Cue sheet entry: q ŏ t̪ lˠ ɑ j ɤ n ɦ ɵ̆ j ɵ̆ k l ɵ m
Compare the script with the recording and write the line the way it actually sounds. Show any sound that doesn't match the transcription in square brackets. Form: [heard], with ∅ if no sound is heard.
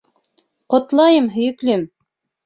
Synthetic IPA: q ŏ t̪ lˠ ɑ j ɤ [m] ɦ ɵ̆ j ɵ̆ k l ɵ m